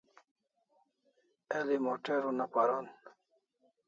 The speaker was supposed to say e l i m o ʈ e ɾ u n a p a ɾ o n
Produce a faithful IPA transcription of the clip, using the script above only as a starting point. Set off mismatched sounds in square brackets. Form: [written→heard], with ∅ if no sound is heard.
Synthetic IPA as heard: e l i m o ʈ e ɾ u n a p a ɾ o n